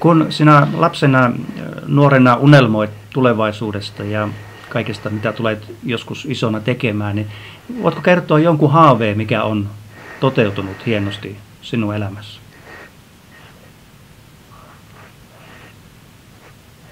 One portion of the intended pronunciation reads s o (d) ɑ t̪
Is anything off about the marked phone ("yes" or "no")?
yes